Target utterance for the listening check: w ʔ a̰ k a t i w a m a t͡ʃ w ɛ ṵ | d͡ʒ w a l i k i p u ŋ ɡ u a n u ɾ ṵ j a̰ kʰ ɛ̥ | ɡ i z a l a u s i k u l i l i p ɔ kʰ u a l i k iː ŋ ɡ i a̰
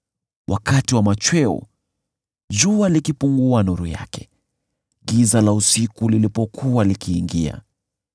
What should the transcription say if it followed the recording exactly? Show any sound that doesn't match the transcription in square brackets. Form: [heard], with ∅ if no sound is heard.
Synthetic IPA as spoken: w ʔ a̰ k a t i w a m a t͡ʃ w ɛ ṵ | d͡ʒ [u] a l i k i p u ŋ ɡ u a n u ɾ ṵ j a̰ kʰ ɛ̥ | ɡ i z a l a u s i k u l i l i p ɔ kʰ u a l i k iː ŋ ɡ i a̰